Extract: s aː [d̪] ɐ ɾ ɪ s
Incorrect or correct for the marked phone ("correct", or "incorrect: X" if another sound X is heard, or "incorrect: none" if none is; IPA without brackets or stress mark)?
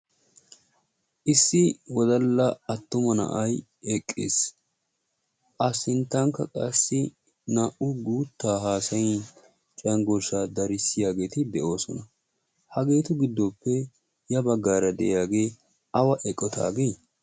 correct